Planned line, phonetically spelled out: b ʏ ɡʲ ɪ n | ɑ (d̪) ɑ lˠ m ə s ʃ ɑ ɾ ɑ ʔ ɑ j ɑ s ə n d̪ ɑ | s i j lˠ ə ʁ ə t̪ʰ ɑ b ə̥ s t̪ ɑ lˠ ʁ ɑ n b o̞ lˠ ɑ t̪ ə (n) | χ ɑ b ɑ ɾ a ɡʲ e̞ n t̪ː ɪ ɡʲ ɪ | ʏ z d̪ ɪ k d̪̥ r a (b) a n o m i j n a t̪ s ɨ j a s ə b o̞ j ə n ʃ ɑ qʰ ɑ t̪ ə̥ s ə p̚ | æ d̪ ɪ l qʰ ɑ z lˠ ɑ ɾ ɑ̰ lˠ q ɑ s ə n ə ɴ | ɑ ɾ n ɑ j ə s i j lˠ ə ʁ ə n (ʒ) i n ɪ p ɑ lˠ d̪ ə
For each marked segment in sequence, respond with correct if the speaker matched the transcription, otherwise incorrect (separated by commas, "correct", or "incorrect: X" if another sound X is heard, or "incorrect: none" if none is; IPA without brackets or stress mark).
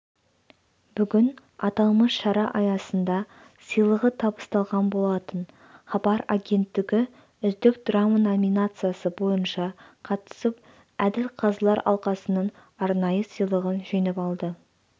incorrect: t̪, correct, incorrect: m, correct